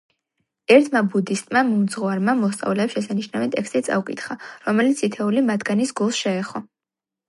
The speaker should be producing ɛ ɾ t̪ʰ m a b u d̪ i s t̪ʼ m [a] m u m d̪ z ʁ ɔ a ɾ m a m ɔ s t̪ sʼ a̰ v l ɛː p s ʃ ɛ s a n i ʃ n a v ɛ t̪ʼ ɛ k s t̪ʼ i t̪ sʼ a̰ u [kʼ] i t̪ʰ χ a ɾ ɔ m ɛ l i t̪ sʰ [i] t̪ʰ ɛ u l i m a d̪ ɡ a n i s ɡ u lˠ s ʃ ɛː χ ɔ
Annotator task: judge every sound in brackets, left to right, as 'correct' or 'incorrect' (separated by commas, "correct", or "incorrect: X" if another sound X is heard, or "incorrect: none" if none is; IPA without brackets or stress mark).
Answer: correct, correct, correct